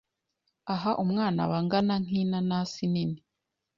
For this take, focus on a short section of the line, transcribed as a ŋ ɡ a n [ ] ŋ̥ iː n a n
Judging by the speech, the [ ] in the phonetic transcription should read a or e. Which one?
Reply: a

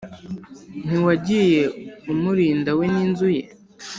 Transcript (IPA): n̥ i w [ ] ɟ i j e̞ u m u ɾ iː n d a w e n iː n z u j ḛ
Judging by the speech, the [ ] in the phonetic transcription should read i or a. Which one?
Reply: a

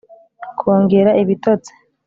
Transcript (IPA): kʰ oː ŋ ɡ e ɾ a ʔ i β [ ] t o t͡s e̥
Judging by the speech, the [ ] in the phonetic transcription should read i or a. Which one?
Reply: i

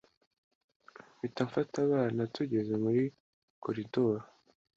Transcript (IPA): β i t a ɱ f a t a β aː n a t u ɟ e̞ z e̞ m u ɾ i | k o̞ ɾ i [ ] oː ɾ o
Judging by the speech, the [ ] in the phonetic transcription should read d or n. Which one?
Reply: d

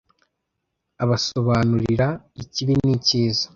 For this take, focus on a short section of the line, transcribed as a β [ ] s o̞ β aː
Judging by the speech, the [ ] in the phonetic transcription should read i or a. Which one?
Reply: a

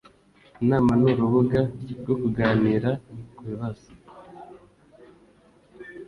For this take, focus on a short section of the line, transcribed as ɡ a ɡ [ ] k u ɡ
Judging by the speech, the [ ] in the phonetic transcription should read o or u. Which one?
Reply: o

